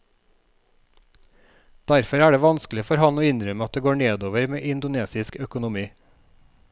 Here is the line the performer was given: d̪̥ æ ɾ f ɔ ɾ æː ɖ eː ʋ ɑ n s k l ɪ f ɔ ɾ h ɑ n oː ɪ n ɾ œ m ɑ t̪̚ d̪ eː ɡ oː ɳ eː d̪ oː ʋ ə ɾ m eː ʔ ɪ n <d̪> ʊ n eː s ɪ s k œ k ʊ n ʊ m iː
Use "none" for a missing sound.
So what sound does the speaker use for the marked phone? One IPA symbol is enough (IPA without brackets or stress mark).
d̪